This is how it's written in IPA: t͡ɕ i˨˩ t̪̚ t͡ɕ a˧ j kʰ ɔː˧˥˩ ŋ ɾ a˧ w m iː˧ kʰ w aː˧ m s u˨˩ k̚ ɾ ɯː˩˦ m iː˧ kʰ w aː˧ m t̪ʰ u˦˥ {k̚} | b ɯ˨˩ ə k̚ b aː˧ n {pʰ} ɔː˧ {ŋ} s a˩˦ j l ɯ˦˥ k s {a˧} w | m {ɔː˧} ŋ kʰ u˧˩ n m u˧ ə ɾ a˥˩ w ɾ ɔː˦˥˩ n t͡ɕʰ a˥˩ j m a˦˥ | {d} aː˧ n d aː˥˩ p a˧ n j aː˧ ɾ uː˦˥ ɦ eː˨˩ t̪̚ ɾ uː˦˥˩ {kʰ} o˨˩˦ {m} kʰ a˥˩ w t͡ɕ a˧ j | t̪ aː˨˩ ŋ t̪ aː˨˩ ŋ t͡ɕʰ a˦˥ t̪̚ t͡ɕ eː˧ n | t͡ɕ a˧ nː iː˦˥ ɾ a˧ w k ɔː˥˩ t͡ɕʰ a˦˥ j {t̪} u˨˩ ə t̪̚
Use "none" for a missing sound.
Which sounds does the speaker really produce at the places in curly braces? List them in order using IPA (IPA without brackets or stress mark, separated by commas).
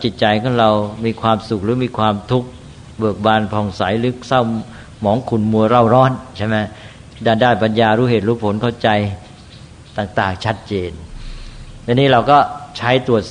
k̚, pʰ, ŋ, a˥˩, ɔː˩˦, d, pʰ, n, t̪